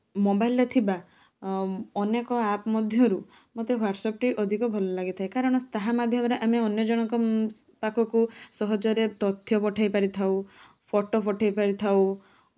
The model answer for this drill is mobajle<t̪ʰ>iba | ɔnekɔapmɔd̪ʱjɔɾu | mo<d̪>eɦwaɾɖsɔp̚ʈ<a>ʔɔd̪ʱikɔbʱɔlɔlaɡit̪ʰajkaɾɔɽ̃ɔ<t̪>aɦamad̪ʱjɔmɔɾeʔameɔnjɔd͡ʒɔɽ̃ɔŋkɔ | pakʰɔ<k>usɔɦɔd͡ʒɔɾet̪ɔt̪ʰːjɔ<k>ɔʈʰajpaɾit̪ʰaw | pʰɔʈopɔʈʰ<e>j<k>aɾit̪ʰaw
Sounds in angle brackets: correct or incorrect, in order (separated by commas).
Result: correct, incorrect, incorrect, correct, correct, incorrect, incorrect, incorrect